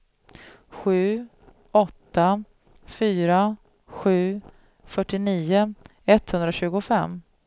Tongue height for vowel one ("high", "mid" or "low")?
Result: high